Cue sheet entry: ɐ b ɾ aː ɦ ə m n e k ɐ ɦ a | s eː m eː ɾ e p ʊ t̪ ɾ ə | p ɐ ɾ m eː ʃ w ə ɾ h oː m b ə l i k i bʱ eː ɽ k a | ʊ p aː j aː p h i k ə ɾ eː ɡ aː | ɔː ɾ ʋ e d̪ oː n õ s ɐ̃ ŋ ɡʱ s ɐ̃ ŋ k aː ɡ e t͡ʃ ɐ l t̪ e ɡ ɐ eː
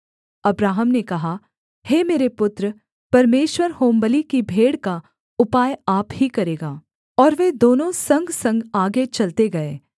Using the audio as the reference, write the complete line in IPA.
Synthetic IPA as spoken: ɐ b ɾ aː ɦ ə m n e k ɐ ɦ a | h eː m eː ɾ e p ʊ t̪ ɾ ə | p ɐ ɾ m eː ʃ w ə ɾ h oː m b ə l i k i bʱ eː ɽ k a | ʊ p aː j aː p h i k ɐ ɾ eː ɡ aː | ɔː ɾ ʋ e d̪ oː n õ s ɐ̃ ŋ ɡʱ s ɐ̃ ŋ ɡ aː ɡ e t͡ʃ ɐ l t̪ e ɡ ɐ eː